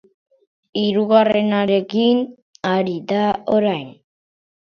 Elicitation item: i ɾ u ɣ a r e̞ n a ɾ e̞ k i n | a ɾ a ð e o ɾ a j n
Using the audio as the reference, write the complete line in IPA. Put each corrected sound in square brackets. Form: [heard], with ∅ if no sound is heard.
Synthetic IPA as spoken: i ɾ u ɣ a r e̞ n a ɾ e̞ k i n | a ɾ [i] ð [a] o ɾ a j n